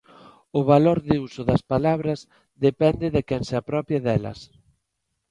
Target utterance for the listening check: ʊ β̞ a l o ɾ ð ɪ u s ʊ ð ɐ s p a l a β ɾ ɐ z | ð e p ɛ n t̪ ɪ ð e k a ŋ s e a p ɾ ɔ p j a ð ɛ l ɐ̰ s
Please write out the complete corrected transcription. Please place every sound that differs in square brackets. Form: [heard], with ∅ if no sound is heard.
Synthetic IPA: ʊ β̞ a l o ɾ ð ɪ u s ʊ ð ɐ s p a l a β ɾ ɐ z | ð e p ɛ n [d̪] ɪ ð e k [ɛ] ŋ s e a p ɾ ɔ p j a ð ɛ l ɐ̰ s